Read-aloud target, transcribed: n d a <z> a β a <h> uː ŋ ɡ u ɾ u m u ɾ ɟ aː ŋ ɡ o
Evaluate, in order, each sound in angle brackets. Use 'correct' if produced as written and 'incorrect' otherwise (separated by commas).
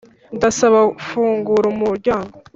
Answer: incorrect, incorrect